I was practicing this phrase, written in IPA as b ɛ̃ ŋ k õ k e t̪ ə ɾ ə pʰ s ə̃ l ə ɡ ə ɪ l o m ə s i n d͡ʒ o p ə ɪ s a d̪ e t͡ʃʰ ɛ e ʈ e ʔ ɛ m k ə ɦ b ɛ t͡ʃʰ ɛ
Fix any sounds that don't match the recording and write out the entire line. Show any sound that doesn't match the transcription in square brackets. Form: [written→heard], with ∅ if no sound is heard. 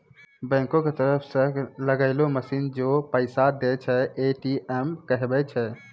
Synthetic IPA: b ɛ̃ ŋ k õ k e t̪ ə ɾ ə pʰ s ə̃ l ə ɡ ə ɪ l o m ə s i n d͡ʒ o p ə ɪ s a d̪ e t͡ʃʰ ɛ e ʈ [e→i] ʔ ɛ m k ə ɦ b ɛ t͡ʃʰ ɛ

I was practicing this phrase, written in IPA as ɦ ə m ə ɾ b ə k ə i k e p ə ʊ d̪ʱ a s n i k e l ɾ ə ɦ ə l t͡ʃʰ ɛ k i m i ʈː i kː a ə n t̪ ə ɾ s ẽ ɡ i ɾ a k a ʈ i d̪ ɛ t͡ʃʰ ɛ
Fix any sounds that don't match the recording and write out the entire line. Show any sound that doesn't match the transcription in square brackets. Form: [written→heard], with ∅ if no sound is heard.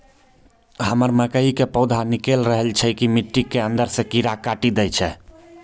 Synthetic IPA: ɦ ə m ə ɾ [b→m] ə k ə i k e p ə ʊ d̪ʱ a [s→∅] n i k e l ɾ ə ɦ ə l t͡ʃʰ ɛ k i m i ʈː i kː [a→e] ə n [t̪→d̪] ə ɾ s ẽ [ɡ→k] i ɾ a k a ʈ i d̪ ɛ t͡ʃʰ ɛ

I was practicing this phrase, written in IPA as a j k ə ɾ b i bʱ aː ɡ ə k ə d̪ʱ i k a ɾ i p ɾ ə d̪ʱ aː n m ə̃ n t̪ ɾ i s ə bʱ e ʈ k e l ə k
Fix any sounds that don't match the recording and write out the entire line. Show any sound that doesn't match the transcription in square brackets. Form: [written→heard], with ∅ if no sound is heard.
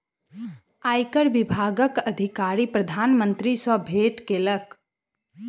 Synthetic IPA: a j k ə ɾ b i bʱ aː ɡ ə k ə d̪ʱ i k a ɾ i p ɾ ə d̪ʱ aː n m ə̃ n t̪ ɾ i s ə bʱ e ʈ k e l ə k

